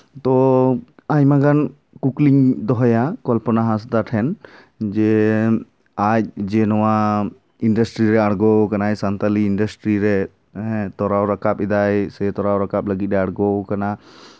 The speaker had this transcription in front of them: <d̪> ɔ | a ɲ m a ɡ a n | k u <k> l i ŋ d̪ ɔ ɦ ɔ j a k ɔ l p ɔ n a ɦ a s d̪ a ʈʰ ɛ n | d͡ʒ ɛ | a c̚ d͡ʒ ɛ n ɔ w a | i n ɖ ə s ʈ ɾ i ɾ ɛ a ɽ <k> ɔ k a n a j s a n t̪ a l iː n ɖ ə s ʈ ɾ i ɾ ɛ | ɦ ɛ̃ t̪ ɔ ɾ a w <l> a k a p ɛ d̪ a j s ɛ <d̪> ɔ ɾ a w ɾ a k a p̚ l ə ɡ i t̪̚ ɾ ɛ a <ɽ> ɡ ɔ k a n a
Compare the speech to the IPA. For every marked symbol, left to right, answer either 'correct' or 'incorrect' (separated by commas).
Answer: incorrect, correct, incorrect, incorrect, incorrect, correct